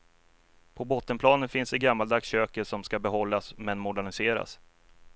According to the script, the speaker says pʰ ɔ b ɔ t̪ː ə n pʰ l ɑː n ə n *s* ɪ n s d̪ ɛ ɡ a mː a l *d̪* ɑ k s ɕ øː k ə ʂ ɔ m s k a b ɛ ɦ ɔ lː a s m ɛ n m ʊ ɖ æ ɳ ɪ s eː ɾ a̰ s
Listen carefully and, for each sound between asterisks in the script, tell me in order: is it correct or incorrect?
incorrect: f, correct

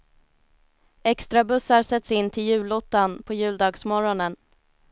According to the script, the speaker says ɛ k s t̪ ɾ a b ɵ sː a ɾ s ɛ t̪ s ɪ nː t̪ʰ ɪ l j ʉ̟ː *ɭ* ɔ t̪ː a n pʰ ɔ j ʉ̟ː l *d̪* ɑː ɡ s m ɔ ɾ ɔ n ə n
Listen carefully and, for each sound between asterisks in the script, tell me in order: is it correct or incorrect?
incorrect: l, correct

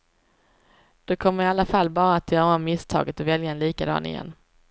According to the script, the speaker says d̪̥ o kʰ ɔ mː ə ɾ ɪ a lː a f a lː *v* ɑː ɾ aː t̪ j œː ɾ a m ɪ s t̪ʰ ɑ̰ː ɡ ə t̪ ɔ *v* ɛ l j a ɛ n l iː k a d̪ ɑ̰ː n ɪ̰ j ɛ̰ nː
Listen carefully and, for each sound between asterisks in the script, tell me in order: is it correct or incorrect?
incorrect: b, correct

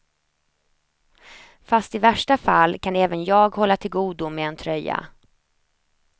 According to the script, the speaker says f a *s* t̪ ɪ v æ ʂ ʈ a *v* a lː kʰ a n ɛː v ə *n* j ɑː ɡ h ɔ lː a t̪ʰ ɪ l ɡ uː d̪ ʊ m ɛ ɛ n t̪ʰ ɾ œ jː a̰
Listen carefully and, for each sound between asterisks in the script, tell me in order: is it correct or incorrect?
correct, incorrect: f, correct

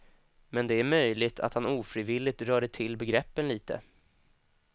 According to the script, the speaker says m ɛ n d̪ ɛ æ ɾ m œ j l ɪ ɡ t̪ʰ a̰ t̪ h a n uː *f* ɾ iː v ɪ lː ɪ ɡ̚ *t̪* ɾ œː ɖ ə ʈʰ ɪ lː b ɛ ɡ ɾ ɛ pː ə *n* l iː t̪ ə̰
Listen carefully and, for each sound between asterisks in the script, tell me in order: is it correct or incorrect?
correct, correct, correct

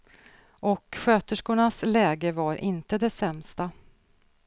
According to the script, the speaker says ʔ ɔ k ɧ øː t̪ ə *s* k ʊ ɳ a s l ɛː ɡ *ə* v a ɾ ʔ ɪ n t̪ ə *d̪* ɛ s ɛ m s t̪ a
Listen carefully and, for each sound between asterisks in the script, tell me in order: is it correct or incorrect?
incorrect: ʂ, correct, correct

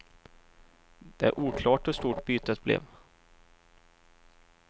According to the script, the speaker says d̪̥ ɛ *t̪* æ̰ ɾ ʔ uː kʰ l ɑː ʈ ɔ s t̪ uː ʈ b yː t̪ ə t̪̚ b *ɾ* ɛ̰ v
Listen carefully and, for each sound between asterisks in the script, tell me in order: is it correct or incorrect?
incorrect: none, incorrect: l

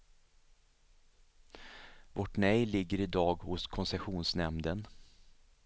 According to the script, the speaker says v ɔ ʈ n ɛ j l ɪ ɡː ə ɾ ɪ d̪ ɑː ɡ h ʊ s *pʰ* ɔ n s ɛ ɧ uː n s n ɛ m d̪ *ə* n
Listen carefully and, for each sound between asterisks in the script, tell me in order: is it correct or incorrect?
incorrect: kʰ, correct

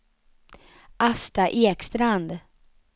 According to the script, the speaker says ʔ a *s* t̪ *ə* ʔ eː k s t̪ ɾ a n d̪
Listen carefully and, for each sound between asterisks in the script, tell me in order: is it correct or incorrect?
correct, incorrect: a

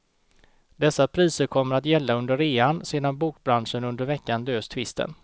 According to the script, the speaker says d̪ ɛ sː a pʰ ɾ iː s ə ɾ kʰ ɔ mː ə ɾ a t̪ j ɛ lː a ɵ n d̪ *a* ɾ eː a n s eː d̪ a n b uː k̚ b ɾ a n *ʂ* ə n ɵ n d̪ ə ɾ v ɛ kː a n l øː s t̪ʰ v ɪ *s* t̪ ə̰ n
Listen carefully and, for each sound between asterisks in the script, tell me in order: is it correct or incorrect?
incorrect: ə, correct, correct

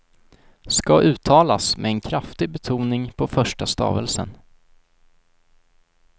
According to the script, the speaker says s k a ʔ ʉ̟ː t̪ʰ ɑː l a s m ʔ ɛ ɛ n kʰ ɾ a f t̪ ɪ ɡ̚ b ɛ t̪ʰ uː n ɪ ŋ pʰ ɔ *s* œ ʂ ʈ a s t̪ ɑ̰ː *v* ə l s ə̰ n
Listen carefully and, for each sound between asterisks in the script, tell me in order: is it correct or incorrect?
incorrect: f, correct

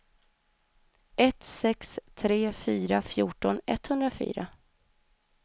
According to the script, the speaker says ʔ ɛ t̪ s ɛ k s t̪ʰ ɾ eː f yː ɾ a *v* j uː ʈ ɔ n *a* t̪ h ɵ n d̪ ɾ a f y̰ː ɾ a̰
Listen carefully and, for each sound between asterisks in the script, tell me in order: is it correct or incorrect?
incorrect: f, incorrect: ɛ

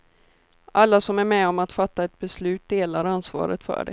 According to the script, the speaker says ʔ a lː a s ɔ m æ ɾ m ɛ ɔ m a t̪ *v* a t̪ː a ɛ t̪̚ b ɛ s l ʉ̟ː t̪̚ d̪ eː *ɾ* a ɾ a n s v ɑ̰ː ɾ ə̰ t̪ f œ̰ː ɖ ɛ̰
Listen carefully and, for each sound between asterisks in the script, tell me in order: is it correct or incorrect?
incorrect: f, incorrect: l

